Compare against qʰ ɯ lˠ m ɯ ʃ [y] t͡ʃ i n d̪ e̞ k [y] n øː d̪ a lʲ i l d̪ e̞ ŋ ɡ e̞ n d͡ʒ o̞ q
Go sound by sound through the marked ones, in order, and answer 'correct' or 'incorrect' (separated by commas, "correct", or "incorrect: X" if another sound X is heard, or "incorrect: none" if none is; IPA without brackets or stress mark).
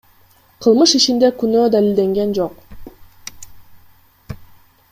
incorrect: i, correct